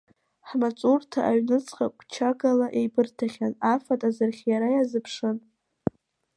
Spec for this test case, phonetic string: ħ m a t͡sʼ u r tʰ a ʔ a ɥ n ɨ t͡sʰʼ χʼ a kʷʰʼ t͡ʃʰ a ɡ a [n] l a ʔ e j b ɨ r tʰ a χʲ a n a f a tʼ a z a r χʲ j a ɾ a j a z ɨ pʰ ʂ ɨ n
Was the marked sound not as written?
yes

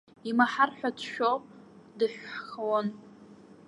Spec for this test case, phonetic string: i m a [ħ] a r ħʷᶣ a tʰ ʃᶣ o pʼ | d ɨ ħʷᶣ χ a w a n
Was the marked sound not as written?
no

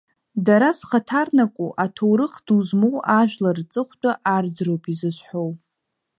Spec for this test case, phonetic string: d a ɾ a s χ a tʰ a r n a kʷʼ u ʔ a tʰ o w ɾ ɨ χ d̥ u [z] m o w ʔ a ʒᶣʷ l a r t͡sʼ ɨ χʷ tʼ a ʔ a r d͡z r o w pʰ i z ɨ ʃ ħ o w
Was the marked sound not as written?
no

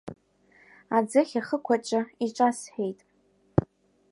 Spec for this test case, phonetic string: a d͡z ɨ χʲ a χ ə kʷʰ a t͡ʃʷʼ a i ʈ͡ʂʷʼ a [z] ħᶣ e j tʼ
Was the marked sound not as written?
yes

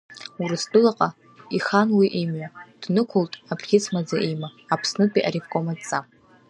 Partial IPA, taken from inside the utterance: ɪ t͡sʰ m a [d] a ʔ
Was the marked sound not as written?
yes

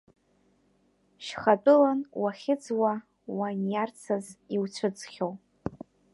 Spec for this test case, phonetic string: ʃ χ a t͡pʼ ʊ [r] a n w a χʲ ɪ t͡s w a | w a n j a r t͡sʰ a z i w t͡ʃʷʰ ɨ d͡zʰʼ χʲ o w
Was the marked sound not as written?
yes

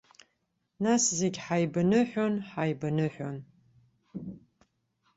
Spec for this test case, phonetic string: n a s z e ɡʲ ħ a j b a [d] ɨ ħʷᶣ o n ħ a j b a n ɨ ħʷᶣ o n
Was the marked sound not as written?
yes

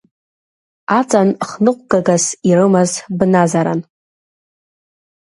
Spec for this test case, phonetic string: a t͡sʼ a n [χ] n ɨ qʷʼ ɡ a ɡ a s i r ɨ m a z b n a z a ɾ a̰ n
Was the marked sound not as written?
no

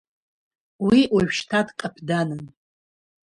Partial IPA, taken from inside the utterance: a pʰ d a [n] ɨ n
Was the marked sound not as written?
no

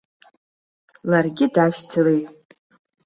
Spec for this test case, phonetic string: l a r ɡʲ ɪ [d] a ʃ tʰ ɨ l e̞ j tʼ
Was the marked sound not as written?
no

